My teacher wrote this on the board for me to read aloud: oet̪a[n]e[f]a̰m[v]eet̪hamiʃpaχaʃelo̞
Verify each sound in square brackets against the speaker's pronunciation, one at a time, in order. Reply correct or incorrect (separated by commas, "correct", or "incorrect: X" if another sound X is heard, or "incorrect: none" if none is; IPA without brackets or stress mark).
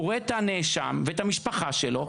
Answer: correct, incorrect: ʃ, correct